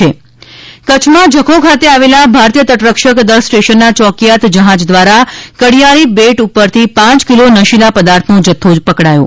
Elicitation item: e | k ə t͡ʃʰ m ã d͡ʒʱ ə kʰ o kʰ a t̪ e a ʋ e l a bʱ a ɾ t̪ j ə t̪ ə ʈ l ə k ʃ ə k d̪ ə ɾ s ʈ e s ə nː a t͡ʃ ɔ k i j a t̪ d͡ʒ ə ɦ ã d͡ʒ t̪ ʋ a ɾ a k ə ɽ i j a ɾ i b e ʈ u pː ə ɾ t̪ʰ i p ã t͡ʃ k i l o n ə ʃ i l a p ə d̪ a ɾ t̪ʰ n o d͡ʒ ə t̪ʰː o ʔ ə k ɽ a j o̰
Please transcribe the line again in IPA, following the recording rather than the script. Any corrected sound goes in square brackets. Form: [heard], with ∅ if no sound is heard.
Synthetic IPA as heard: e | k ə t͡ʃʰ m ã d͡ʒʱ ə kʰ o kʰ a t̪ e a ʋ e l a bʱ a ɾ t̪ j ə t̪ ə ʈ [ɾ] ə k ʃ ə k d̪ ə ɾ s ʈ e [ʃ] ə nː a t͡ʃ ɔ k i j a t̪ d͡ʒ ə ɦ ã d͡ʒ [d̪] ʋ a ɾ a k ə ɽ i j a ɾ i b e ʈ u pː ə ɾ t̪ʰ i p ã t͡ʃ k i l o n ə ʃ i l a p ə d̪ a ɾ t̪ʰ n o d͡ʒ ə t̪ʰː o [p] ə k ɽ a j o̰